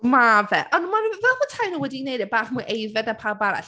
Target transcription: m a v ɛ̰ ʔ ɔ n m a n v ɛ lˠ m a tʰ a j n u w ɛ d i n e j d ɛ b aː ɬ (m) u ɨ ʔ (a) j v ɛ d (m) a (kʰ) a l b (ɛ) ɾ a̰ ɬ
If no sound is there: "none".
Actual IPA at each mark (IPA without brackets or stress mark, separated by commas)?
m, e, n, pʰ, a